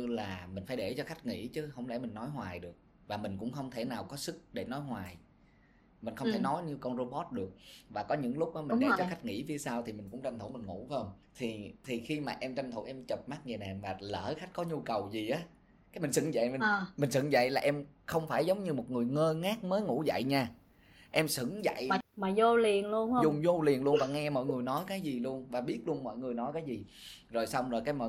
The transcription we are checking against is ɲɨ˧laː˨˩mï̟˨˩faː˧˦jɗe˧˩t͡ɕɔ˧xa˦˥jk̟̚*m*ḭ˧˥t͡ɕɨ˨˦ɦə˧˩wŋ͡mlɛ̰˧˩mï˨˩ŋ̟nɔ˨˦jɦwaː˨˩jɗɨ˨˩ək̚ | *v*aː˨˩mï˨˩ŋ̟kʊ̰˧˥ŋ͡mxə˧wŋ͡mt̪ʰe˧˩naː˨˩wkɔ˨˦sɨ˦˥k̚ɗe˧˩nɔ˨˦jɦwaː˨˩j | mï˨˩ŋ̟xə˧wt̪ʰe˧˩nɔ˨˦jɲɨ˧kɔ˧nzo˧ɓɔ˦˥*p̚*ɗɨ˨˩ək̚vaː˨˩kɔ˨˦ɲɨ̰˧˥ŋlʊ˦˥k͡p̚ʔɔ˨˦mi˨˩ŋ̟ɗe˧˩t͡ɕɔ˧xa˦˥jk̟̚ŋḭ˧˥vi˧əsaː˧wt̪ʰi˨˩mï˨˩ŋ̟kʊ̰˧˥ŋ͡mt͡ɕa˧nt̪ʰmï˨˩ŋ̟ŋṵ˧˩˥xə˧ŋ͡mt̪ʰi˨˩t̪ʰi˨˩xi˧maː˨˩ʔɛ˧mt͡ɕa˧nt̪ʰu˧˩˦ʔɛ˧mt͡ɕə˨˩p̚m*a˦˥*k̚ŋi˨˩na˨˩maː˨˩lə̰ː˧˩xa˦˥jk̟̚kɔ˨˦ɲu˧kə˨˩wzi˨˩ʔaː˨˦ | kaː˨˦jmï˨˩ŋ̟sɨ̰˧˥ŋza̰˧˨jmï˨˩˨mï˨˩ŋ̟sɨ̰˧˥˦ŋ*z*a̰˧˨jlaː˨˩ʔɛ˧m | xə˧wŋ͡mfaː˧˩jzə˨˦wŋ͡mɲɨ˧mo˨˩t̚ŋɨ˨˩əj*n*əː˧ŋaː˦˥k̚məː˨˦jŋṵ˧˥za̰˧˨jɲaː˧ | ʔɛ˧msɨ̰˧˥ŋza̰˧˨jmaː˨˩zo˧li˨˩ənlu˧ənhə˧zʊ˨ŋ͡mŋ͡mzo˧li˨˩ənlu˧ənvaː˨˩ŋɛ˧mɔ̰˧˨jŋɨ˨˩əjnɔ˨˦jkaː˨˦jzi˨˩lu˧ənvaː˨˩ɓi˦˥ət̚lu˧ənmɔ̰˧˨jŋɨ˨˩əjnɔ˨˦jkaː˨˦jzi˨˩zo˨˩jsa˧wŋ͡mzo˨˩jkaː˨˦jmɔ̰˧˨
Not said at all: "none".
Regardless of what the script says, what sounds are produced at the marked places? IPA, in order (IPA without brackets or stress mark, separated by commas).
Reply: ŋ, v, t̚, a˦˥, z, ŋ